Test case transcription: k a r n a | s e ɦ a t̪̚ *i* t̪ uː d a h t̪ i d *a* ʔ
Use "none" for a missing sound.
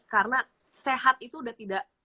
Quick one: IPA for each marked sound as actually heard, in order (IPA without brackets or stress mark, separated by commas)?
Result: i, a